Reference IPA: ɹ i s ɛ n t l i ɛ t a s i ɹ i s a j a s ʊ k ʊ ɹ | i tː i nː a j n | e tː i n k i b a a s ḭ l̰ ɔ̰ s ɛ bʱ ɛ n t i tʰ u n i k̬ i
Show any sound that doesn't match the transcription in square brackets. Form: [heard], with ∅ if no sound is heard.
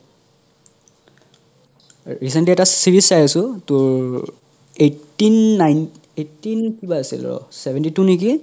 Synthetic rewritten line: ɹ i s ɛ n t l i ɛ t a s i ɹ i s a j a s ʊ [t] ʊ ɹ | [e] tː i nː a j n | e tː i n k i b a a s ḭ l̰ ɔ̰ s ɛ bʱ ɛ n t i [t] u n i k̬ i